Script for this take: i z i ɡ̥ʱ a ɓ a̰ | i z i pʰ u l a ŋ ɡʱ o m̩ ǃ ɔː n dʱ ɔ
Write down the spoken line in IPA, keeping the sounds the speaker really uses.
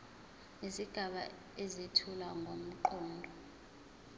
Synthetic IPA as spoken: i z i ɡ̥ʱ a ɓ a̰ | e z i tʰ u l a ŋ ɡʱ o m̩ ǃ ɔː n dʱ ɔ